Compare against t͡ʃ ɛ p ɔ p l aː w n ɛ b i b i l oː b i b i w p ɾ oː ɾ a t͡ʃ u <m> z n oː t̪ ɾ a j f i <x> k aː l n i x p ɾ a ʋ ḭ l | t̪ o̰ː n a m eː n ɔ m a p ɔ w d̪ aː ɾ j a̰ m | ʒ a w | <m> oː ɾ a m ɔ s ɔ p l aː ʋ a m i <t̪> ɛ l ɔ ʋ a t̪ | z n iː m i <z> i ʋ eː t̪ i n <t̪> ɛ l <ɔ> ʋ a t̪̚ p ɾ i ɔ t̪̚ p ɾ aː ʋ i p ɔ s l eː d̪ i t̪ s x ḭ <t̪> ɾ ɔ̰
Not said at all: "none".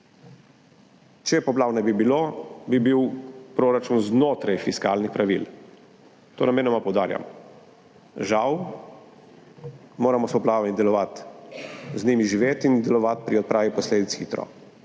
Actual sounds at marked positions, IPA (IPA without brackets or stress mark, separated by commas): n, s, m, d̪, ʒ, d̪, ɔ, t̪